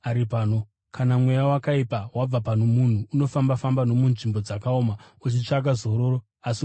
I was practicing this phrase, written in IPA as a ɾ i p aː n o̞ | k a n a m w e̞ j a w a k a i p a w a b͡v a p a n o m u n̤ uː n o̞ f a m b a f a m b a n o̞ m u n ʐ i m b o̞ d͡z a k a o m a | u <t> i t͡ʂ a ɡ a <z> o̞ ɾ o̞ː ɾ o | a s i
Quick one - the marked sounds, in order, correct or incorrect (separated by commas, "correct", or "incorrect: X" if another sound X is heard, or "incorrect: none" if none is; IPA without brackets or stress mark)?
incorrect: t͡ʃ, correct